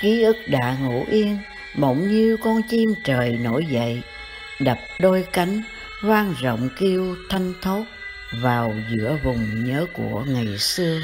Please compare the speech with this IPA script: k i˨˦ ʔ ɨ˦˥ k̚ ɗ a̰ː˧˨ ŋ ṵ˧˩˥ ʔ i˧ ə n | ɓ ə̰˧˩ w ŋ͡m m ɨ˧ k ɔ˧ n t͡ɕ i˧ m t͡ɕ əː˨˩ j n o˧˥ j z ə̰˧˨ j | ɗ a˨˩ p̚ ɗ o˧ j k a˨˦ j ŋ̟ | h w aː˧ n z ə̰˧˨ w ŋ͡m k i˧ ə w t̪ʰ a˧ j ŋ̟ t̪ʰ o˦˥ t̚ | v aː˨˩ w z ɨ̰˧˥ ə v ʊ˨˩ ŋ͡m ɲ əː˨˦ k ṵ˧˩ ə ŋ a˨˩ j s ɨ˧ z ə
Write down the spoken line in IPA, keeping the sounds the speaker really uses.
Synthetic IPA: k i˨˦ ʔ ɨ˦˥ k̚ ɗ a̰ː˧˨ ŋ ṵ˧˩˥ ʔ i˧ ə n | ɓ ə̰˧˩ w ŋ͡m ɲ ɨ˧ k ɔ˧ n t͡ɕ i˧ m t͡ɕ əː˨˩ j n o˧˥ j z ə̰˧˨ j | ɗ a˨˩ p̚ ɗ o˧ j k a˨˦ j ŋ̟ | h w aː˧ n z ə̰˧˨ w ŋ͡m k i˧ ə w t̪ʰ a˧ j ŋ̟ t̪ʰ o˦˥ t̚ | v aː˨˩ w z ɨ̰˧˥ ə v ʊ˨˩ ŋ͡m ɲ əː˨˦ k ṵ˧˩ ə ŋ a˨˩ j s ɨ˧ ə

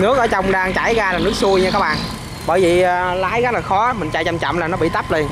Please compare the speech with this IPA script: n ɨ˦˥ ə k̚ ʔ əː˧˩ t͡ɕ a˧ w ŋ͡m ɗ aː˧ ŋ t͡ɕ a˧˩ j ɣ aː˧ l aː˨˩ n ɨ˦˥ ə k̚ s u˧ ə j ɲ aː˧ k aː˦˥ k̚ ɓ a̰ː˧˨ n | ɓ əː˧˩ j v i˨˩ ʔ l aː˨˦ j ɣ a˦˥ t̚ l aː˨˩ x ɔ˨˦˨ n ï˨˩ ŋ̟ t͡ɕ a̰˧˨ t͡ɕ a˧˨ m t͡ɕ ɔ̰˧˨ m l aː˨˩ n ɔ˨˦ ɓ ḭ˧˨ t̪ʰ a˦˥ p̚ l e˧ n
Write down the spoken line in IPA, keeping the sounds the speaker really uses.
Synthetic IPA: n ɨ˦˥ ə k̚ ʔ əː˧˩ t͡ɕ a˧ w ŋ͡m ɗ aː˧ ŋ t͡ɕ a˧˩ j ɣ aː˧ l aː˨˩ n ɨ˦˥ ə k̚ s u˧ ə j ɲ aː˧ k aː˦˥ k̚ ɓ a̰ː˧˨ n | ɓ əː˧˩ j v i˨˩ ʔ l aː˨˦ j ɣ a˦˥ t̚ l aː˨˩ x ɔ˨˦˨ m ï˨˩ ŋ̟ t͡ɕ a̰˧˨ t͡ɕ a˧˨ m t͡ɕ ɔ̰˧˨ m l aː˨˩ n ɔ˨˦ ɓ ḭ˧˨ t̪ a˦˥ p̚ l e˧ n

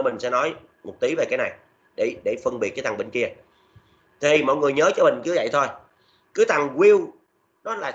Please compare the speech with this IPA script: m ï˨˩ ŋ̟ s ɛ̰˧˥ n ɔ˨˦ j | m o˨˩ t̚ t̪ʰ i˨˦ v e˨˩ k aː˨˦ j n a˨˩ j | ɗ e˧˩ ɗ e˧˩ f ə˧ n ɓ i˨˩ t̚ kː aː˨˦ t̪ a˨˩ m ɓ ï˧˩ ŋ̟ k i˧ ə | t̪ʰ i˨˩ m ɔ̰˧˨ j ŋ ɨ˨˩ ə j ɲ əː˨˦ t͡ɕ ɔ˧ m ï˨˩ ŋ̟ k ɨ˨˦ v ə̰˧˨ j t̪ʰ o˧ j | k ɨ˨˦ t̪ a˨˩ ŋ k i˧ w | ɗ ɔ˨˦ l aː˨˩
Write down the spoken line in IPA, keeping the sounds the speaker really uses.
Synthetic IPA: m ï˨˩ ŋ̟ s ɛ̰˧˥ n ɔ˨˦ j | m o˨˩ t̚ t̪ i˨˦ v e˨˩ k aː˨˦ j n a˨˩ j | ɗ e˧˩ ɗ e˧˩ f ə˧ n ɓ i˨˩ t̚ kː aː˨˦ t̪ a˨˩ ŋ ɓ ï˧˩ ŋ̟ k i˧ ə | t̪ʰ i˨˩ m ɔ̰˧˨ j ŋ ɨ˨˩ ə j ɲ əː˨˦ t͡ɕ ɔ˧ m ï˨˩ ŋ̟ k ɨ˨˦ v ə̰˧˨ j t̪ʰ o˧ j | k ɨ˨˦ t̪ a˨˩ ŋ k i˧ w | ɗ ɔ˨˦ l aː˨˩

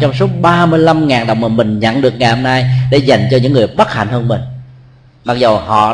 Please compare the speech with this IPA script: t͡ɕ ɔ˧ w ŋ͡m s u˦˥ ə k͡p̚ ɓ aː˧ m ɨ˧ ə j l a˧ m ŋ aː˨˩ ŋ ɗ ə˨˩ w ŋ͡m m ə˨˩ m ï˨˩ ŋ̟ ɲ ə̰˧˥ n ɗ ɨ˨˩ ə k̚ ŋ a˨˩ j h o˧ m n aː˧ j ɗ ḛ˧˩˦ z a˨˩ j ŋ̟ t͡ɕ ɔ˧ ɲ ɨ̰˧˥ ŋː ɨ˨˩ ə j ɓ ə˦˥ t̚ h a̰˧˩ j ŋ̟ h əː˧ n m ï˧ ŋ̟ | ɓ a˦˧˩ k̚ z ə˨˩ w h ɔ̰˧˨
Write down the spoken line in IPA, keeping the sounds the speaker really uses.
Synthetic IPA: t͡ɕ ɔ˧ w ŋ͡m s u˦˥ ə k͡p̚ ɓ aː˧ m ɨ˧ ə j l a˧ m ŋ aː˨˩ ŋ ɗ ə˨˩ w ŋ͡m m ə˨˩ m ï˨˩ ŋ̟ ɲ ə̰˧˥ n ɗ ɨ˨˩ ə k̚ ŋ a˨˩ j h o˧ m n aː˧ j ɗ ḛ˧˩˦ z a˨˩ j ŋ̟ t͡ɕ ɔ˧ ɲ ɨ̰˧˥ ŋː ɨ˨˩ ə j ɓ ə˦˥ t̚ h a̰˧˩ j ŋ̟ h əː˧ n m ï˨˩ ŋ̟ | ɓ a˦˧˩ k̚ z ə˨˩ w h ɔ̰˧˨

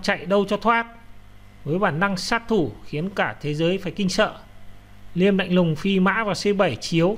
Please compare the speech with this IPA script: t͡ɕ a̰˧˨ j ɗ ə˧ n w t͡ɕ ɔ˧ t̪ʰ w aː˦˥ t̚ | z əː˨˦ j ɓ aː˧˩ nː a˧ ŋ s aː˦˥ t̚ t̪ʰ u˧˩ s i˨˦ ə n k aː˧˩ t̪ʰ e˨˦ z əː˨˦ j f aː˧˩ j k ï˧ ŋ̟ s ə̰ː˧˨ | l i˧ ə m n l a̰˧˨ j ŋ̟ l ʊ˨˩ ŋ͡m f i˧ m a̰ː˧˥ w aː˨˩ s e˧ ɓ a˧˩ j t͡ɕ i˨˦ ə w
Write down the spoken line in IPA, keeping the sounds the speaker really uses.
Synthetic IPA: t͡ɕ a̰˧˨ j ɗ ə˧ w t͡ɕ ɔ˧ t̪ʰ w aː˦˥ t̚ | v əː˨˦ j ɓ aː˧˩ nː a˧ ŋ s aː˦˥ t̚ t̪ʰ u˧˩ x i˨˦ ə n k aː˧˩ t̪ʰ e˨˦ z əː˨˦ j f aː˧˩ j k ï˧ ŋ̟ s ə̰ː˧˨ | l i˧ ə m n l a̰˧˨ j ŋ̟ l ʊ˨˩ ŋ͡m f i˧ m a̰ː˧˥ v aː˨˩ s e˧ ɓ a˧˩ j t͡ɕ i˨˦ ə w

